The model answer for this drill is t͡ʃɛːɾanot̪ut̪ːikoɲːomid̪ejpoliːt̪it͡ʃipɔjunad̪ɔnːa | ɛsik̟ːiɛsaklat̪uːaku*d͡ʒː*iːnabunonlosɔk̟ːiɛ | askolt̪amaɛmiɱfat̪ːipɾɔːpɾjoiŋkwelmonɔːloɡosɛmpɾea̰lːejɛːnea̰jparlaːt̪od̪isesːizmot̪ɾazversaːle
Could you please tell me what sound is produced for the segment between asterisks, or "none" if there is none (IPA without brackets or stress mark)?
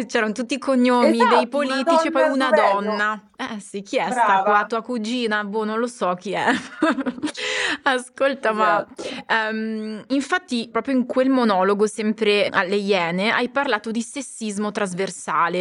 d͡ʒ